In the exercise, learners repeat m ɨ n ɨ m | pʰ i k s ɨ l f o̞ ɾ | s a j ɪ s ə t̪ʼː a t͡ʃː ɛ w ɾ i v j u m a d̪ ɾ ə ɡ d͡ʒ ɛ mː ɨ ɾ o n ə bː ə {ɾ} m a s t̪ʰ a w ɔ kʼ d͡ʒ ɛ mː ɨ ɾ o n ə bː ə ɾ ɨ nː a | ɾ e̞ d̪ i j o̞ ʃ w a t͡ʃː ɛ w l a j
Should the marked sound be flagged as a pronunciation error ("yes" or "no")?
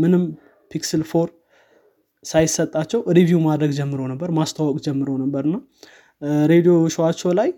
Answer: no